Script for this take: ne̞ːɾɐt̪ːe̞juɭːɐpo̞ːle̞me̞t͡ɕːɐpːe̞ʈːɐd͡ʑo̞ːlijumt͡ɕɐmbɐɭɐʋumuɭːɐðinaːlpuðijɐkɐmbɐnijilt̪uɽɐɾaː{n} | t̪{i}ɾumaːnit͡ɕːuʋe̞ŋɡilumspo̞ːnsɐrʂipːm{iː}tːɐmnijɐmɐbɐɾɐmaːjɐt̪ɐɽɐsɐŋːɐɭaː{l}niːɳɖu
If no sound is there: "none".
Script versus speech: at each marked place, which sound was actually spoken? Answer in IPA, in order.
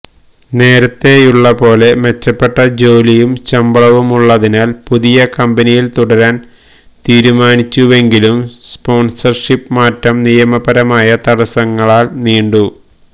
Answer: n, iː, aː, l

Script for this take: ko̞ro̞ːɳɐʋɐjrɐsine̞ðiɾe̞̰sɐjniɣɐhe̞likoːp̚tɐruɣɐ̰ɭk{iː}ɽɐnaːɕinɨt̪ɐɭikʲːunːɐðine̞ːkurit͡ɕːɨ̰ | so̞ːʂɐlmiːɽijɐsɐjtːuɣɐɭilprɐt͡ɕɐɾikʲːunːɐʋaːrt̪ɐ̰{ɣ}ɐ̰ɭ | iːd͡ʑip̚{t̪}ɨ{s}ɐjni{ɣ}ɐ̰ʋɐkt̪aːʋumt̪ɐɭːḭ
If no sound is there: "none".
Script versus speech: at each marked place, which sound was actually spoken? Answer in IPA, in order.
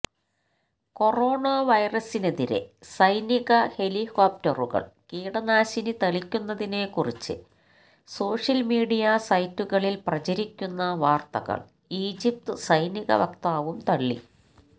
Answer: iː, ɣ, t̪, s, ɣ

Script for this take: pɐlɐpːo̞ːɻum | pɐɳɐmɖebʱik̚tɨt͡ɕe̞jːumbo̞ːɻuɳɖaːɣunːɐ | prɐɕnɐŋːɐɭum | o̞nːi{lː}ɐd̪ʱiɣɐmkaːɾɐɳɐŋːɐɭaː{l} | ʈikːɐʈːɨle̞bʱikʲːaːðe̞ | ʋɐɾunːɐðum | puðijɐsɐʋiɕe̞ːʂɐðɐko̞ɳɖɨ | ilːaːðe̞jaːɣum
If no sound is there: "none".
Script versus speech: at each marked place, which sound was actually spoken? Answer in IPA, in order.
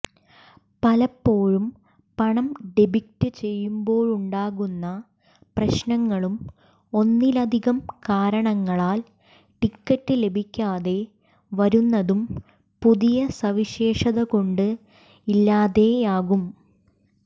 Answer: l, l

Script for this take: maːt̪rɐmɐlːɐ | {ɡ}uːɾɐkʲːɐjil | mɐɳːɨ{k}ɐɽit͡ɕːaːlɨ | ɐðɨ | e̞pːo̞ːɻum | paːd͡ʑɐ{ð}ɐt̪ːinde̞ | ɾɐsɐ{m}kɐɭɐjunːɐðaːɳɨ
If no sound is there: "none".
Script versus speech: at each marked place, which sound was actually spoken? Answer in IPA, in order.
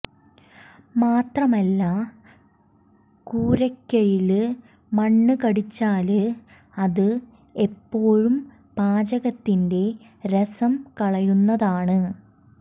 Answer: k, k, ɣ, m

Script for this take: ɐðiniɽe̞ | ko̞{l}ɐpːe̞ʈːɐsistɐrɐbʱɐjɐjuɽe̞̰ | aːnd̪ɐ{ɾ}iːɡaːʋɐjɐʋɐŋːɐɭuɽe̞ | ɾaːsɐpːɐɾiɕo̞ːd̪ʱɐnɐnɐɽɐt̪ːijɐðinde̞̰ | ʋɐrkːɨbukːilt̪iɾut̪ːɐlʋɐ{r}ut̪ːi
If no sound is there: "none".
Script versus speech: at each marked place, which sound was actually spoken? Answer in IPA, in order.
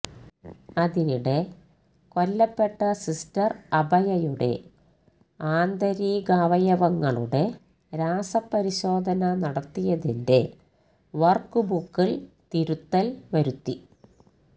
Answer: lː, ɾ, ɾ

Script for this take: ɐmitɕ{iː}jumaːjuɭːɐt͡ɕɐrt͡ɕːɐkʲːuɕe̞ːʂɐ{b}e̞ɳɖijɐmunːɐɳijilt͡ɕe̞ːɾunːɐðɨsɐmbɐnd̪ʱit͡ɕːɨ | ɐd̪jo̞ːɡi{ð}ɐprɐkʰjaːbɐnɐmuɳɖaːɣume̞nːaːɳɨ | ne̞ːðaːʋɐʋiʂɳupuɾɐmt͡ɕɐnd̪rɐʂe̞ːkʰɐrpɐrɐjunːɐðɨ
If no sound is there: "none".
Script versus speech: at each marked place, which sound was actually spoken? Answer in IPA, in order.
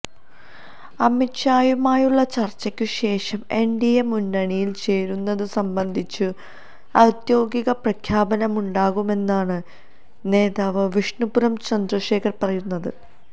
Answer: aː, m, ɣ

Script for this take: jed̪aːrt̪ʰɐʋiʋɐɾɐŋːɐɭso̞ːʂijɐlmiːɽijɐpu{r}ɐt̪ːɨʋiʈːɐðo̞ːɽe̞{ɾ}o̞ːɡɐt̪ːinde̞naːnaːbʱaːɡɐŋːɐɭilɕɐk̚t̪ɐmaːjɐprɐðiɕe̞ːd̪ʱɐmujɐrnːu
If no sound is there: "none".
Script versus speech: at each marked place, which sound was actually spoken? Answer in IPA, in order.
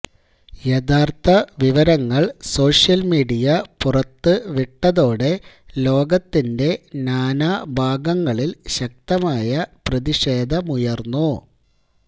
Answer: r, l

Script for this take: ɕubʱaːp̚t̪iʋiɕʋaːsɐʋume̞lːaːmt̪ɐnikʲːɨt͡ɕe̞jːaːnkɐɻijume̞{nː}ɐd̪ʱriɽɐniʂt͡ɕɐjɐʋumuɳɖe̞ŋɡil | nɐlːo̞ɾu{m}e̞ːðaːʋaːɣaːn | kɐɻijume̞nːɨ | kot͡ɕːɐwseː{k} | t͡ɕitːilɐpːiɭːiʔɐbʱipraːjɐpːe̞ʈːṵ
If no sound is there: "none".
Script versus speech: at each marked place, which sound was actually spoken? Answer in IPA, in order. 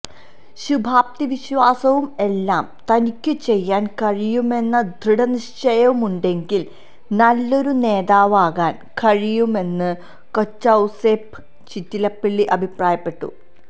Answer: nː, n, p

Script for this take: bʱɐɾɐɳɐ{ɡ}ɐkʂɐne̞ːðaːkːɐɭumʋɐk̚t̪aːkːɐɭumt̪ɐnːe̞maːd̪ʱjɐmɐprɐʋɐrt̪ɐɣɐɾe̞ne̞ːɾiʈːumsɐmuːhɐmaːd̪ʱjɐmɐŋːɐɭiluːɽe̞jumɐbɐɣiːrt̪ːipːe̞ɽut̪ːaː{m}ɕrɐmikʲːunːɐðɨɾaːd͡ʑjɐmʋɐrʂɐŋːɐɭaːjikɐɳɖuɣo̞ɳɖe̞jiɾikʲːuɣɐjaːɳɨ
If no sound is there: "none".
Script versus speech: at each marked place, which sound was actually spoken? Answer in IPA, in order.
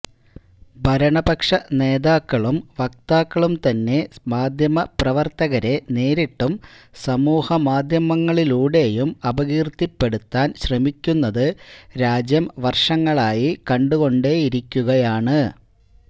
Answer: b, n

